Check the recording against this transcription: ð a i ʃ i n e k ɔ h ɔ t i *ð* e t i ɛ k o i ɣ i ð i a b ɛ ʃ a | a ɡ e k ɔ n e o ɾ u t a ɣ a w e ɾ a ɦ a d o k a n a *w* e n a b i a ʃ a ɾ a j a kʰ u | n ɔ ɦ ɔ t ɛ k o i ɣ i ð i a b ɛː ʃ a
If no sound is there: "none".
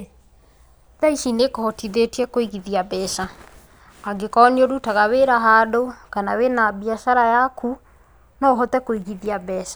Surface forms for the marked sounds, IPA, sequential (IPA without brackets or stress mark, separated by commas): ð, w